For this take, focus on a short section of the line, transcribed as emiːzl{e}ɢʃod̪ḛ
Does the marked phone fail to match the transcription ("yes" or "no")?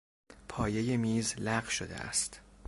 yes